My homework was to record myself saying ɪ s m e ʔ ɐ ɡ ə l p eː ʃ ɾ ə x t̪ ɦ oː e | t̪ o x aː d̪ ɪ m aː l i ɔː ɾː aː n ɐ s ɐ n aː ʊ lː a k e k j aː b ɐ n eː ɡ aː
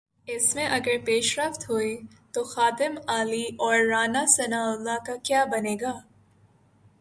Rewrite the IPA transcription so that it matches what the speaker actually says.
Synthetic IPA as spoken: ɪ s m ẽ ʔ ɐ ɡ ə ɾ p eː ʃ ɾ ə f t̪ ɦ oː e | t̪ o x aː d̪ ɪ m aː l i ɔː ɾː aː n a s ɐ n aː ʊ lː a k a k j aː b ɐ n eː ɡ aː